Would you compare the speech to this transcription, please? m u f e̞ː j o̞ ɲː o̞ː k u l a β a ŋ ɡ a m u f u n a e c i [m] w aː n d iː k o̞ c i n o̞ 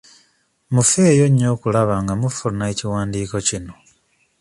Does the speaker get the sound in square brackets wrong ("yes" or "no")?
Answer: yes